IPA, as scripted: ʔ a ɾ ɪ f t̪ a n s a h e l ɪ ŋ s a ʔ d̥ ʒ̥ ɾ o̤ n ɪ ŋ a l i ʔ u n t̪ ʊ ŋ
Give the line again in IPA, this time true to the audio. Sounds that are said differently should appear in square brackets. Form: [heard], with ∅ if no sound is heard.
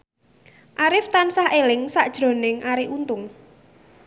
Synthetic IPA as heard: ʔ a ɾ ɪ f t̪ a n s a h e l ɪ ŋ s a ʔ d̥ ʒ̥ ɾ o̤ n ɪ ŋ a [ɾ] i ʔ u n t̪ ʊ ŋ